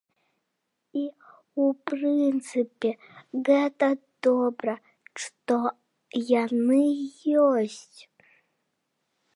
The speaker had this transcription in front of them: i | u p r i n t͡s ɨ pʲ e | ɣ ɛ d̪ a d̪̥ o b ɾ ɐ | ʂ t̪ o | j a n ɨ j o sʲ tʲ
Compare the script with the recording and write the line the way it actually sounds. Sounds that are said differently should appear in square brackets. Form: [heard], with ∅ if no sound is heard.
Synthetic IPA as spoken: i | u p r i n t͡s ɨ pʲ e | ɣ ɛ [t̪] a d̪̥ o b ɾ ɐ | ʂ t̪ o | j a n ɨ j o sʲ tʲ